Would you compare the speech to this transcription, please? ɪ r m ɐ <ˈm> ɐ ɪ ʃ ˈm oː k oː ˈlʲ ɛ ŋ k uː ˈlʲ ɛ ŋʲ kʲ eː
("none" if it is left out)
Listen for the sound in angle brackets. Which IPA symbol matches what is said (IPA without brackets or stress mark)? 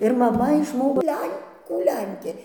m